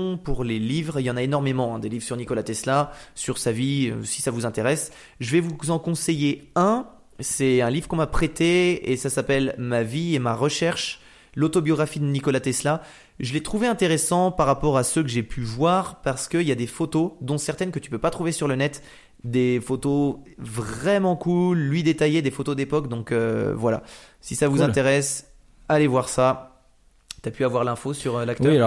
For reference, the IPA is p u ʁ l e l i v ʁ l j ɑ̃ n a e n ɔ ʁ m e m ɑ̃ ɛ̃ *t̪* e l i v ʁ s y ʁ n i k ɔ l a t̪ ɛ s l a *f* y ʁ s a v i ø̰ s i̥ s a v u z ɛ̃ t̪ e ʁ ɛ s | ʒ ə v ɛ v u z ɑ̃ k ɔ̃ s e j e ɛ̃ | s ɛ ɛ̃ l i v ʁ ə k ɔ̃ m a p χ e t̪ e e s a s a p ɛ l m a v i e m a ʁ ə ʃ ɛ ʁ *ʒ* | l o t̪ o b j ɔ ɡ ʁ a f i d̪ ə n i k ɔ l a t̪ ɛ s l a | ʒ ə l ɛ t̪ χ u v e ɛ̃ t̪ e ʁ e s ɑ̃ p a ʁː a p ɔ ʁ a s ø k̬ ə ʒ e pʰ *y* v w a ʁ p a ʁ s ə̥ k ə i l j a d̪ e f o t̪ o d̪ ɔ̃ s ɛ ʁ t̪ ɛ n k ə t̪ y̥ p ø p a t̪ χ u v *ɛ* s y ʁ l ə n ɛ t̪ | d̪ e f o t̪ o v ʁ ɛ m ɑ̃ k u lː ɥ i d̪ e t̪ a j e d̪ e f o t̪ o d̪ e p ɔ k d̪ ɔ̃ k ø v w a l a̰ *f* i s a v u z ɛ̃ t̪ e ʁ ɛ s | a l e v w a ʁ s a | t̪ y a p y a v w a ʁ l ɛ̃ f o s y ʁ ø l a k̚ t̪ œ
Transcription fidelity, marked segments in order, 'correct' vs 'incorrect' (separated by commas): incorrect, incorrect, incorrect, correct, incorrect, incorrect